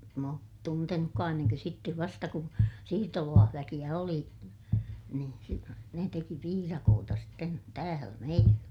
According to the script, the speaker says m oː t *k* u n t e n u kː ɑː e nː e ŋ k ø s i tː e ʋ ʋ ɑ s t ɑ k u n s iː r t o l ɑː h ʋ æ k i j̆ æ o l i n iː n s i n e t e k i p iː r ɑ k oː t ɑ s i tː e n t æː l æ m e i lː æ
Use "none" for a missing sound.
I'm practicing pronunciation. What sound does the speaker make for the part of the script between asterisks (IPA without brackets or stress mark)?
t